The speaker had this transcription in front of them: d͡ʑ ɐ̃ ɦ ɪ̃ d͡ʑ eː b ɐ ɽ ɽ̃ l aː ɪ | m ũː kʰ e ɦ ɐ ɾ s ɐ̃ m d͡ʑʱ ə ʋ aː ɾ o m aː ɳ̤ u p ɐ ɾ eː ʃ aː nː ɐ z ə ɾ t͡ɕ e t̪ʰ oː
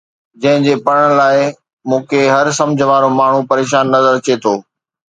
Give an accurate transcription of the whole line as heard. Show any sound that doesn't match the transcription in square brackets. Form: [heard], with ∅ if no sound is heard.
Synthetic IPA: d͡ʑ ɐ̃ ɦ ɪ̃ d͡ʑ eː [p] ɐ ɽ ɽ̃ l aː ɪ | m ũː kʰ e ɦ ɐ ɾ s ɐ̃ m d͡ʑʱ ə ʋ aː ɾ o m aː ɳ̤ u p ɐ ɾ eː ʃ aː nː ɐ z ə ɾ t͡ɕ e t̪ʰ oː

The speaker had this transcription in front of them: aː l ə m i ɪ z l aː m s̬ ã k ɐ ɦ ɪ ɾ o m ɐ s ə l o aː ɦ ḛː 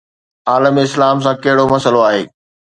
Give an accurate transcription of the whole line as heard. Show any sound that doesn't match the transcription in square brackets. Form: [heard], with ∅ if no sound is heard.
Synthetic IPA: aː l ə m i ɪ [s] l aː m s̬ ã k ɐ ɦ ɪ [ɽ] o m ɐ s ə l o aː ɦ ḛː

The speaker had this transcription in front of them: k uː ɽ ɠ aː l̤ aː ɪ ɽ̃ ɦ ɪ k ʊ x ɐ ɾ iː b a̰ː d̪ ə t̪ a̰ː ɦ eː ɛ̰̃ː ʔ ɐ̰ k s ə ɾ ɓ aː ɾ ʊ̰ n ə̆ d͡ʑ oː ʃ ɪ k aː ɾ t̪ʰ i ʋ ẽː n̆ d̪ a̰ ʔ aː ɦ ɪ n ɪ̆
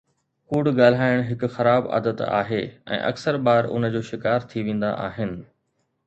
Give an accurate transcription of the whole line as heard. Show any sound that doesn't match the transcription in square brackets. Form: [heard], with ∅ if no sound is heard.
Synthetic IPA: k uː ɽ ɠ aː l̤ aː ɪ ɽ̃ ɦ ɪ k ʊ x ɐ ɾ [aː] b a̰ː d̪ ə t̪ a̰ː ɦ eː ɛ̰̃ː ʔ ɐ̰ k s ə ɾ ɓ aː ɾ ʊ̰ n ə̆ d͡ʑ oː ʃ ɪ k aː ɾ t̪ʰ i ʋ ẽː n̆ d̪ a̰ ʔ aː ɦ ɪ n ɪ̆

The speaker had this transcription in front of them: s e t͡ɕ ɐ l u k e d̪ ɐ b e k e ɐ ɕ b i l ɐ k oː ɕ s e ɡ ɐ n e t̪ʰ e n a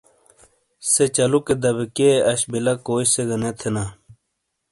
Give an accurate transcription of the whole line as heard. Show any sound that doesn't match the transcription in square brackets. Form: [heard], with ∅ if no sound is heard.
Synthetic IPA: s e t͡ɕ ɐ l u k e d̪ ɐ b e k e ɐ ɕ b i l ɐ k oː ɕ s e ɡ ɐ n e t̪ʰ e n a

